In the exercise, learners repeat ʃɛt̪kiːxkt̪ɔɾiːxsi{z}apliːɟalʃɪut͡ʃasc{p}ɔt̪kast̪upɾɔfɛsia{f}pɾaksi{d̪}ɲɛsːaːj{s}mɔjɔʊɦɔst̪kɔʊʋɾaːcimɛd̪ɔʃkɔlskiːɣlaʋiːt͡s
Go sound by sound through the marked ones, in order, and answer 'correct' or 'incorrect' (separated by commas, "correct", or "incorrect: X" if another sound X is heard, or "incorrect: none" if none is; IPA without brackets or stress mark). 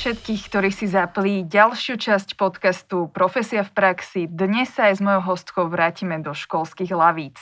correct, correct, correct, correct, incorrect: z